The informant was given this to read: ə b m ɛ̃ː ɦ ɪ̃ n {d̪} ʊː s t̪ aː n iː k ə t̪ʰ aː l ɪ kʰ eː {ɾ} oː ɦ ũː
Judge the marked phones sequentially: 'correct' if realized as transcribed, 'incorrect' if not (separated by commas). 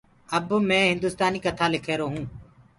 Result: correct, correct